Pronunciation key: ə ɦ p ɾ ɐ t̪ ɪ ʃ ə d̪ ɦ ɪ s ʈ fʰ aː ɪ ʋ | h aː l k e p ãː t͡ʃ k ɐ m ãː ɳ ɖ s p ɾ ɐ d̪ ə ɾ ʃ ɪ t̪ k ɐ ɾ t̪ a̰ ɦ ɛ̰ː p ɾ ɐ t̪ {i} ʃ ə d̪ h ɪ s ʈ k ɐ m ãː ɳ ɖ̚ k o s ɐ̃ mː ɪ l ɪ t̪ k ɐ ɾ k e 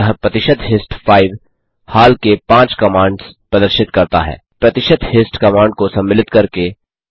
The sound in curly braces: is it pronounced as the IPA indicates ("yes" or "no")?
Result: no